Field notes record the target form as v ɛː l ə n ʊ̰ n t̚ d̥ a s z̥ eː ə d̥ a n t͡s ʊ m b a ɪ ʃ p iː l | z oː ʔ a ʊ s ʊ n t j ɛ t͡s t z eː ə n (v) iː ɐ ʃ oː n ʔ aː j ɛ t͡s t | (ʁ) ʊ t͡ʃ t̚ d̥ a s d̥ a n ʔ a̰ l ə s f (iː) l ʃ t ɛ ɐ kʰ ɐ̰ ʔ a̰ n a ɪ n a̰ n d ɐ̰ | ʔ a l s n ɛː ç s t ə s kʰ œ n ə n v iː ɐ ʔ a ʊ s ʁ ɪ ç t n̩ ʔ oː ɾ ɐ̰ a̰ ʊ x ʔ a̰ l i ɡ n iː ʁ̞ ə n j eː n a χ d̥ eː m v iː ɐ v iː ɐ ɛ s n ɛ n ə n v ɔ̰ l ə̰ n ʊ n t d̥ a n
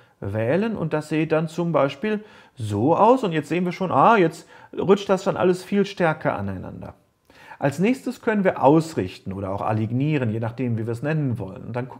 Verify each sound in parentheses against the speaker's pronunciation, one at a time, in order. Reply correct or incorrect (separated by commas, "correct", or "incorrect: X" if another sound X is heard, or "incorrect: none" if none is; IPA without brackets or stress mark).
correct, correct, correct